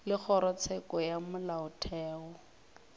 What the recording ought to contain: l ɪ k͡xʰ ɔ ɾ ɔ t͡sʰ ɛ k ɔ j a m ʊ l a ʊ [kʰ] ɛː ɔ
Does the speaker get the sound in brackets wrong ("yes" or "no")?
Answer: yes